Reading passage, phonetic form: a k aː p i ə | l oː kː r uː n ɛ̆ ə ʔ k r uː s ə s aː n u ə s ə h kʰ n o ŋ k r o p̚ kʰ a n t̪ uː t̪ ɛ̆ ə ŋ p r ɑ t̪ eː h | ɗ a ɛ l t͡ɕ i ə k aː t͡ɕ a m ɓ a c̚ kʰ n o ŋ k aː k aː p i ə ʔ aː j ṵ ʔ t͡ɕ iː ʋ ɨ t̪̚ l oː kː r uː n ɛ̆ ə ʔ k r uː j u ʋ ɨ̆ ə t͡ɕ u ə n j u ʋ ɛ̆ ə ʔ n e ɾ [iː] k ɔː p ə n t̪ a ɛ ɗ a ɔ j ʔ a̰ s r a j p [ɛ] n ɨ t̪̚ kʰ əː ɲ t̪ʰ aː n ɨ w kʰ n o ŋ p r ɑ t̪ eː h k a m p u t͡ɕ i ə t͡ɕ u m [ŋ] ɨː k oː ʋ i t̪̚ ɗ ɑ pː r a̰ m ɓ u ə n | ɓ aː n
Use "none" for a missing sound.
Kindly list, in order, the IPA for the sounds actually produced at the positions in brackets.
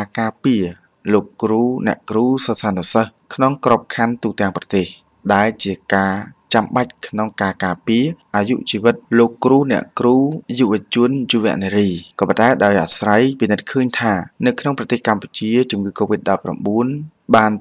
iː, i, ŋ

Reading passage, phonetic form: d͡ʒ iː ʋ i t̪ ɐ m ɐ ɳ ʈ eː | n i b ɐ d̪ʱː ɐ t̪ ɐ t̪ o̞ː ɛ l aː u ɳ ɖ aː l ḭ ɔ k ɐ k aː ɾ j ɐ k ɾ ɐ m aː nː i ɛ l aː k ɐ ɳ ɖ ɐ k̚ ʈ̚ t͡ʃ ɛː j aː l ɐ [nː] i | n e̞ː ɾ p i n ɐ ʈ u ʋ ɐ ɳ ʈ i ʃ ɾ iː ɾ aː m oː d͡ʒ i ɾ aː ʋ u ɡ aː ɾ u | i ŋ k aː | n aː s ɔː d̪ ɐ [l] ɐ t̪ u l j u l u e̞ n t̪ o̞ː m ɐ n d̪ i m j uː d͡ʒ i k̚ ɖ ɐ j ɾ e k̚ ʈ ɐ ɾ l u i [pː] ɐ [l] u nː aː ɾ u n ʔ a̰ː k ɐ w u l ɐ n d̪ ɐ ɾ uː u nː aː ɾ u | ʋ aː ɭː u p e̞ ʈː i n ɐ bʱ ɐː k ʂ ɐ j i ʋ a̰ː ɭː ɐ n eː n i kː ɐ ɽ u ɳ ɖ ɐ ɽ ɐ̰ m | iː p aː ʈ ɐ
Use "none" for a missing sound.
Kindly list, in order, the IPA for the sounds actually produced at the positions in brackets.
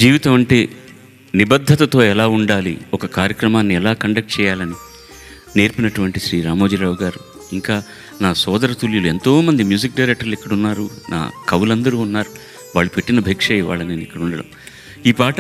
n, ɾ, kː, ɽ

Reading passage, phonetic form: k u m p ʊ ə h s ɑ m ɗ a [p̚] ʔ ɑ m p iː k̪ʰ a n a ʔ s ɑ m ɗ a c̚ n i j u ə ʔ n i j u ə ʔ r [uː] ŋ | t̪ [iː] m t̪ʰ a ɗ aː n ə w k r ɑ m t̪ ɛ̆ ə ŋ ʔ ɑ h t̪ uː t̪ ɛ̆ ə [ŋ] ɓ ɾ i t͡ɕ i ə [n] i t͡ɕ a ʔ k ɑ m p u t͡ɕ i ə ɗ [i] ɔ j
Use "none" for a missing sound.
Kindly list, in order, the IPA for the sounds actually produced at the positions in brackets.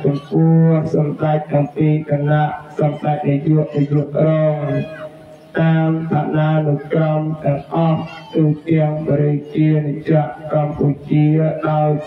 c̚, ɔː, aː, ŋ, n, a

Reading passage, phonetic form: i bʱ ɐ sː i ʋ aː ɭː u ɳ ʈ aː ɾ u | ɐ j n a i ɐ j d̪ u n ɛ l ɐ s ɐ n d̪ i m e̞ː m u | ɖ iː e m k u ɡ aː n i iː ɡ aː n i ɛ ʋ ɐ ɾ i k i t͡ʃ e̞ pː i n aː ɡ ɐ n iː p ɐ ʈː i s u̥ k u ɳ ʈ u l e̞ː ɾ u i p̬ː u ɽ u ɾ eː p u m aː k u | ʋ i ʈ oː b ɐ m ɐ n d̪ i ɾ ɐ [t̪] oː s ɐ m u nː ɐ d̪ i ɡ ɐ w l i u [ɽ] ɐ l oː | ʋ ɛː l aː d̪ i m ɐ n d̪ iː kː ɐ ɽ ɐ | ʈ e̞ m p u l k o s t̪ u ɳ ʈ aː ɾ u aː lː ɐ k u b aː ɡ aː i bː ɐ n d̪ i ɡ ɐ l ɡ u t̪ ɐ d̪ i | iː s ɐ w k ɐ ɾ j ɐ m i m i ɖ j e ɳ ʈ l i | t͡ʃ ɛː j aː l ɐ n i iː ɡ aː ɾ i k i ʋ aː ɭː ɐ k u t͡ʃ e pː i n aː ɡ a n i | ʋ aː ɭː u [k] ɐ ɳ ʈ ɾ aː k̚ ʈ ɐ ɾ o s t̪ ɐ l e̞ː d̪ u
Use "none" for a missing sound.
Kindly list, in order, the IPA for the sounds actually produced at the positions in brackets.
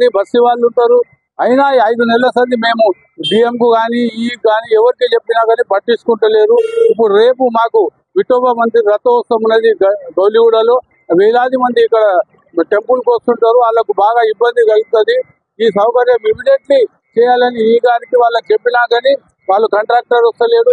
t̪, ɽ, k

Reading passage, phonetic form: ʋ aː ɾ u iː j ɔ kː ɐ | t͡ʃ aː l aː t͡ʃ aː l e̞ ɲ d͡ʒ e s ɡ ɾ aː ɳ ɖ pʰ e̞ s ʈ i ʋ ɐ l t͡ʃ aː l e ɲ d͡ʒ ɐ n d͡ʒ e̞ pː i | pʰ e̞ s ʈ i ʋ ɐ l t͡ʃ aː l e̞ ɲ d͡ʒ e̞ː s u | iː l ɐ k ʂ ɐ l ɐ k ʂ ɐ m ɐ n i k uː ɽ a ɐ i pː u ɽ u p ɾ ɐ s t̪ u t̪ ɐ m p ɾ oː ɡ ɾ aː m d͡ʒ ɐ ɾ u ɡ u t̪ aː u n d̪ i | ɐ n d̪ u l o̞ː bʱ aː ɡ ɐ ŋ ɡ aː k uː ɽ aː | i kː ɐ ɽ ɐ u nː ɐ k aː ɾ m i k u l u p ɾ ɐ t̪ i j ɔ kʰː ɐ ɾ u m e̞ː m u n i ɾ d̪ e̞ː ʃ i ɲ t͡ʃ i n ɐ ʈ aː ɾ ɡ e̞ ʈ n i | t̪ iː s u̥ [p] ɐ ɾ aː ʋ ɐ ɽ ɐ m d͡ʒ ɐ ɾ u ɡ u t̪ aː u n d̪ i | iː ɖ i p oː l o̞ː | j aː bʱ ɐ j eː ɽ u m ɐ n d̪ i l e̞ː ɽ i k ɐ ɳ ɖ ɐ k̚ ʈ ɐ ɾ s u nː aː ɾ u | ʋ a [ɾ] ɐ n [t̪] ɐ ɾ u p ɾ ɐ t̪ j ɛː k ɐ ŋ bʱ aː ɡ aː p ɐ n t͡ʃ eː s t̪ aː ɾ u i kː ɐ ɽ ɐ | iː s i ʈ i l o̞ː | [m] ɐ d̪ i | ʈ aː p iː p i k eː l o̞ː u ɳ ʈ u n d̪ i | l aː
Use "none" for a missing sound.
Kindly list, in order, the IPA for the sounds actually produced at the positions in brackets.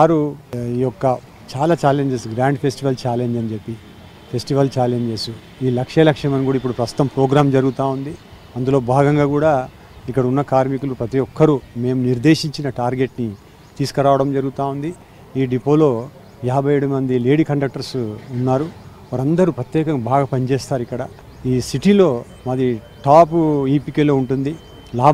k, ɾ, d̪, m

